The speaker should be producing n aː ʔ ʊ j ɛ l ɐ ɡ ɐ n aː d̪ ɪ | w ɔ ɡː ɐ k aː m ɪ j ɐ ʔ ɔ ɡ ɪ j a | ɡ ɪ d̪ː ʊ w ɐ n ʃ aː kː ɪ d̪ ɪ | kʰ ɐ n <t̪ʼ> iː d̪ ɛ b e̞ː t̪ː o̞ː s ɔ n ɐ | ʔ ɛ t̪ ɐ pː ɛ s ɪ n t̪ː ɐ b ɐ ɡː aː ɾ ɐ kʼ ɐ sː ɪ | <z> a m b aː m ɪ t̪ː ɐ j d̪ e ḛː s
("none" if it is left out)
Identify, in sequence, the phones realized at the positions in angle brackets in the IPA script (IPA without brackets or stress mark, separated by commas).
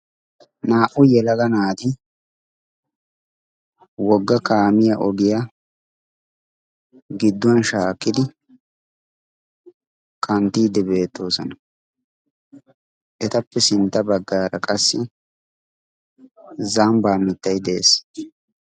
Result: t̪, z